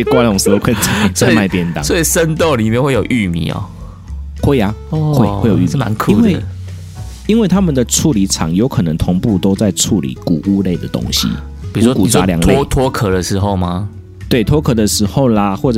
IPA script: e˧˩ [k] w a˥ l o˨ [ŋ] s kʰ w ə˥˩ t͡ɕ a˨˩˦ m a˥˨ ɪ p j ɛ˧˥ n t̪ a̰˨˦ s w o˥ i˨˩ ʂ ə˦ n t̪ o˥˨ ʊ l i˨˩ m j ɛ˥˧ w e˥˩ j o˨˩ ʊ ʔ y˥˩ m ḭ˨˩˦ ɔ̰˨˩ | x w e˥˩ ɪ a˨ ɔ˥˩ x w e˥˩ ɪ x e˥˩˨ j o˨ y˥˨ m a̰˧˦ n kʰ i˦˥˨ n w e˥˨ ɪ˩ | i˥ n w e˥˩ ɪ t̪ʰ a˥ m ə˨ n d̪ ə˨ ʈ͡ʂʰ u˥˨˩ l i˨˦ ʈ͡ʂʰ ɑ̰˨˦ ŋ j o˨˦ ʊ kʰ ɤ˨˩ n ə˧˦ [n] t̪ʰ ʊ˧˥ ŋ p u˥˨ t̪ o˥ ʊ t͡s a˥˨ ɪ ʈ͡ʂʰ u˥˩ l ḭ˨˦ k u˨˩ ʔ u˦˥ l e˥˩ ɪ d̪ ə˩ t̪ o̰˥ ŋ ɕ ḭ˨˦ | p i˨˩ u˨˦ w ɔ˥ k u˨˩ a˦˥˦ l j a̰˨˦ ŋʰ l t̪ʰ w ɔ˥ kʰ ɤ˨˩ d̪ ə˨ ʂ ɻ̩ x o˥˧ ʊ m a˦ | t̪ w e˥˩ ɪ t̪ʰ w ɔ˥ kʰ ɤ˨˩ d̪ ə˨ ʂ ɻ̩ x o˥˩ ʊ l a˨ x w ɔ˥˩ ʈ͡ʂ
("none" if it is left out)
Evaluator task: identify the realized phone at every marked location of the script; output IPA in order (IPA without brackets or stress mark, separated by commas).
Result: k, ŋ, ŋ